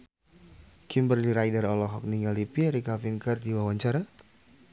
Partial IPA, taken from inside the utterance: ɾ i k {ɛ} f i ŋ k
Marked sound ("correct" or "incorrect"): incorrect